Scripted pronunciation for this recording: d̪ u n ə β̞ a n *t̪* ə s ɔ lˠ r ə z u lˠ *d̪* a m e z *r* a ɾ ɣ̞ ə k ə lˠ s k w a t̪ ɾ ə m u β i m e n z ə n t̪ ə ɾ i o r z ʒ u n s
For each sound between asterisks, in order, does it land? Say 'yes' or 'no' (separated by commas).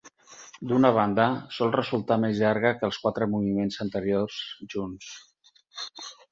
no, no, no